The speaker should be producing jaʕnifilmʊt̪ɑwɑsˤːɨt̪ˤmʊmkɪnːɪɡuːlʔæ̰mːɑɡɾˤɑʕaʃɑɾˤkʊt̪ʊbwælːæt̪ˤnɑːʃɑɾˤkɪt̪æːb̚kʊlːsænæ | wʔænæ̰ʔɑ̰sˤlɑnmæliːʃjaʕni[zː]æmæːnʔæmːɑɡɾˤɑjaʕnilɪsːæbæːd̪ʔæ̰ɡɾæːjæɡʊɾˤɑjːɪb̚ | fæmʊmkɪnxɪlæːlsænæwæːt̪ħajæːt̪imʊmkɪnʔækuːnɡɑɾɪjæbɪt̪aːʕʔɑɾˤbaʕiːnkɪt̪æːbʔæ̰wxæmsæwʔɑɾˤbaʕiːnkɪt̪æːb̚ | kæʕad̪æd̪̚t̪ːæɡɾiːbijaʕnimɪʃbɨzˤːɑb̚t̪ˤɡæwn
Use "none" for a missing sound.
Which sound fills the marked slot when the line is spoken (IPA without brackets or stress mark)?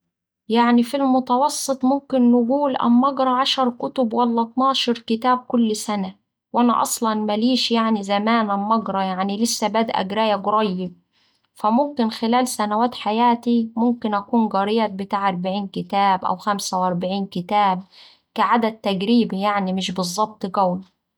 z